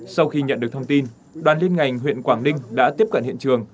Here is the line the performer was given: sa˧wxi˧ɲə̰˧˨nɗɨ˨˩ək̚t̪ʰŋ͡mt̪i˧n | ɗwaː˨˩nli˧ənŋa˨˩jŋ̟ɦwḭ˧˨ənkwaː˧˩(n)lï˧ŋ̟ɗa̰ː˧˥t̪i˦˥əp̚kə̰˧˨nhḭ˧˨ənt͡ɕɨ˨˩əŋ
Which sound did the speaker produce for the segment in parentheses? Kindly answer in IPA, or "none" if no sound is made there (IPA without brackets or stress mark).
ŋ